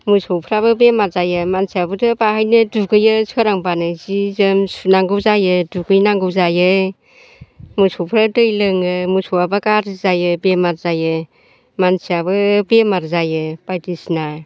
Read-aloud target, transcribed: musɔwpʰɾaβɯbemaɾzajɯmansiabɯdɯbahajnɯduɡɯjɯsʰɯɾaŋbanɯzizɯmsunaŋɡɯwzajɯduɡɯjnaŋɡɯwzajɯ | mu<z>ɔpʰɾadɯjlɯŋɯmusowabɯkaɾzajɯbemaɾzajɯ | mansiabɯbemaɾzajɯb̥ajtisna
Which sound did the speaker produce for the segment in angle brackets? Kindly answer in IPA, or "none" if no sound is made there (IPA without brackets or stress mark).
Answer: s